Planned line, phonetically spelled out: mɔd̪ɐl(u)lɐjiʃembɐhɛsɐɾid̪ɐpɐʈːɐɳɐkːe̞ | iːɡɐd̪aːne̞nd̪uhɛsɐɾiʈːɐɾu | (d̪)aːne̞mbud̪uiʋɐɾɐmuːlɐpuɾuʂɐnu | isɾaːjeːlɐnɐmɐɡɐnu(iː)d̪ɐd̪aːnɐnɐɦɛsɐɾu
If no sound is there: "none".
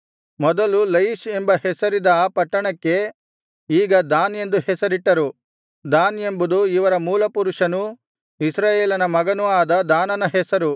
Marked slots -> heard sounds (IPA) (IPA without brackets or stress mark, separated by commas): u, d̪, aː